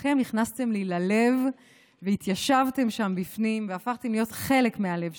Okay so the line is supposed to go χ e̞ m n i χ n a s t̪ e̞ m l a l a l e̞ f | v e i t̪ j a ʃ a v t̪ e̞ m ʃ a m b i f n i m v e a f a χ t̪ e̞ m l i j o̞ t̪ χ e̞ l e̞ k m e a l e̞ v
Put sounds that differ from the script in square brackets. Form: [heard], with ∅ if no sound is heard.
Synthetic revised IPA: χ e̞ m n i χ n a s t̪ e̞ m l [i] l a l e̞ [v] | v e i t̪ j a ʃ a v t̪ e̞ m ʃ a m b i f n i m v e a f a χ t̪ e̞ m l i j o̞ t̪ χ e̞ l e̞ k m e a l e̞ v